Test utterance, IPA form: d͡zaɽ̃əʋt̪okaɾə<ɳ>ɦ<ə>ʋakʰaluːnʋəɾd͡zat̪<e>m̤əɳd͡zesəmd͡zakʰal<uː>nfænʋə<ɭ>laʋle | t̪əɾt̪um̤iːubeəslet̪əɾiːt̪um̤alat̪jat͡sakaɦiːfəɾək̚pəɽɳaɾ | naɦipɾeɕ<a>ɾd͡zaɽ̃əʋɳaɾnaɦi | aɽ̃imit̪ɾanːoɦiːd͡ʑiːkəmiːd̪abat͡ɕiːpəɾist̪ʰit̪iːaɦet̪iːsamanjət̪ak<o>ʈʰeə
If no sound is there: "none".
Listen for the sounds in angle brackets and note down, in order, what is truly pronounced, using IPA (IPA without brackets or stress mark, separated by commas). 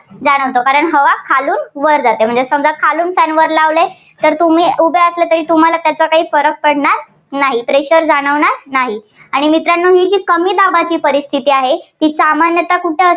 ɳ, ə, e, uː, ɾ, ə, u